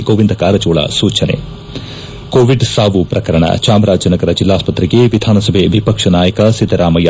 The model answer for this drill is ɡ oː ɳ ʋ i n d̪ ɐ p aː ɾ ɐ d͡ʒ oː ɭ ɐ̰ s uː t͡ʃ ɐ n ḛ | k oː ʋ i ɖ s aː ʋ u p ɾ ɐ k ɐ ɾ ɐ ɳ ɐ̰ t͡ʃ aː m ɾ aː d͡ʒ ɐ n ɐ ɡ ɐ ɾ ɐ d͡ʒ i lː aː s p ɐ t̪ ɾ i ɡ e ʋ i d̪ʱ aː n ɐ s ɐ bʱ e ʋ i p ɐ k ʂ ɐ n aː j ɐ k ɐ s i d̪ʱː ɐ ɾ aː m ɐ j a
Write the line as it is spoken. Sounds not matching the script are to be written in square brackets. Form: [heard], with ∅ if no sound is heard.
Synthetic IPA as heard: ɡ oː [∅] ʋ i n d̪ ɐ [k] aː ɾ ɐ d͡ʒ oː ɭ ɐ̰ s uː t͡ʃ ɐ n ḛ | k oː ʋ i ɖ s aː ʋ u p ɾ ɐ k ɐ ɾ ɐ ɳ ɐ̰ t͡ʃ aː m ɾ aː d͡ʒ ɐ n ɐ ɡ ɐ ɾ ɐ d͡ʒ i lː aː s p ɐ t̪ ɾ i ɡ e ʋ i d̪ʱ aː n ɐ s ɐ bʱ e ʋ i p ɐ k ʂ ɐ n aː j ɐ k ɐ s i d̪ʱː ɐ ɾ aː m ɐ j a

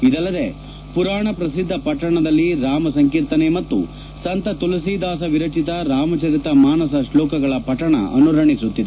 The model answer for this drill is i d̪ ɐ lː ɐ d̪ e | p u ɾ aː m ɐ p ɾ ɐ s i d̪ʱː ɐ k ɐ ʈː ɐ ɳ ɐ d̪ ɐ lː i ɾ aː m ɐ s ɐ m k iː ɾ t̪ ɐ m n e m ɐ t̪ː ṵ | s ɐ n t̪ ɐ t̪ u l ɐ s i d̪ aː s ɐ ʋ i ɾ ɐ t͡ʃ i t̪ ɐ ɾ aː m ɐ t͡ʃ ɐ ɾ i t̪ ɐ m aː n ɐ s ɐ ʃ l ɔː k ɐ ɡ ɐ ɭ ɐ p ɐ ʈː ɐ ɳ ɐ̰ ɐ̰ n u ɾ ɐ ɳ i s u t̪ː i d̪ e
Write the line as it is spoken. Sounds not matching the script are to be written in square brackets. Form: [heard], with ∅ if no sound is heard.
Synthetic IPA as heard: i d̪ ɐ lː ɐ d̪ e | p u ɾ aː [ɳ] ɐ p ɾ ɐ s i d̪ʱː ɐ [p] ɐ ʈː ɐ ɳ ɐ d̪ ɐ lː i ɾ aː m ɐ s ɐ [ŋ] k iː ɾ t̪ ɐ [∅] n e m ɐ t̪ː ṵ | s ɐ n t̪ ɐ t̪ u l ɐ s i d̪ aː s ɐ ʋ i ɾ ɐ t͡ʃ i t̪ ɐ ɾ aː m ɐ t͡ʃ ɐ ɾ i t̪ ɐ m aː n ɐ s ɐ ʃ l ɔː k ɐ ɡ ɐ ɭ ɐ p ɐ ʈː ɐ ɳ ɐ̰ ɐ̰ n u ɾ ɐ ɳ i s u t̪ː i d̪ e

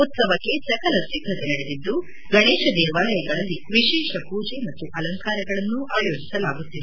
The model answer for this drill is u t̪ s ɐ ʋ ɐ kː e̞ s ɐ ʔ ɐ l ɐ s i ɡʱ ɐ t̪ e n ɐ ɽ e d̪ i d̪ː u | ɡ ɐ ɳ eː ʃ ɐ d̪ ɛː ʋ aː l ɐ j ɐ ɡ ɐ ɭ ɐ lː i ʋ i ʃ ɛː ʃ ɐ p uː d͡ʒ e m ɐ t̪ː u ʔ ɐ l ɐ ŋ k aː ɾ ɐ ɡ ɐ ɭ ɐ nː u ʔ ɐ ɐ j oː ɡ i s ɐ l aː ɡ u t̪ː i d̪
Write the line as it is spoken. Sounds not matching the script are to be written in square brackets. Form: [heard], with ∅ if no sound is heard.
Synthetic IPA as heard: u t̪ s ɐ ʋ ɐ kː e̞ s ɐ [k] ɐ l ɐ s i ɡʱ ɐ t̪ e n ɐ ɽ e d̪ i d̪ː u | ɡ ɐ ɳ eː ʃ ɐ d̪ ɛː ʋ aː l ɐ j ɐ ɡ ɐ ɭ ɐ lː i ʋ i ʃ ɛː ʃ ɐ p uː d͡ʒ e m ɐ t̪ː u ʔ ɐ l ɐ ŋ k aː ɾ ɐ ɡ ɐ ɭ ɐ nː u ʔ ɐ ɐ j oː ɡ i s ɐ l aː ɡ u t̪ː i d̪

